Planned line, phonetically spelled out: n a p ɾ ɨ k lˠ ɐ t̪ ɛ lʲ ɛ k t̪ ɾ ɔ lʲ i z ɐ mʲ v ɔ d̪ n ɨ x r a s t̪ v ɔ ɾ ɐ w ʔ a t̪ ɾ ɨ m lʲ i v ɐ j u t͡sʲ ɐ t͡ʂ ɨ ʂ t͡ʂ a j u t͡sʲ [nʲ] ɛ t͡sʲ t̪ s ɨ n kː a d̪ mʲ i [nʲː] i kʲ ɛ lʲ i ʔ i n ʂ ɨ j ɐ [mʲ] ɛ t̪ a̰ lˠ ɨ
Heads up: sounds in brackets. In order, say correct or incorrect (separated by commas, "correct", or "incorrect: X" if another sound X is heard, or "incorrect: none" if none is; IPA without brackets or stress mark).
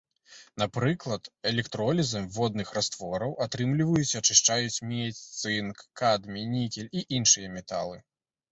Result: incorrect: mʲ, incorrect: nʲ, correct